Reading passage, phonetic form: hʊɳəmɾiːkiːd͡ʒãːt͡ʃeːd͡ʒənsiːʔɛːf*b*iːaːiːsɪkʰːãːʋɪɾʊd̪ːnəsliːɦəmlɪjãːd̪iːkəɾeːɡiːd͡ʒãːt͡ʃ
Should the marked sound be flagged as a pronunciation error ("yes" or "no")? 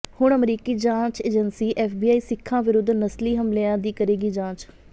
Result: no